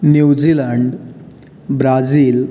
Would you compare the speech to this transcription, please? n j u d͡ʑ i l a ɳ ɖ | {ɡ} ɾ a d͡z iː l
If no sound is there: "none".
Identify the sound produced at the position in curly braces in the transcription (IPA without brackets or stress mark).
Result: b